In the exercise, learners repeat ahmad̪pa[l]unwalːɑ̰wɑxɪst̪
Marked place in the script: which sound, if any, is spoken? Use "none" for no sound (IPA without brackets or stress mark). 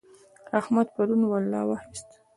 ɾ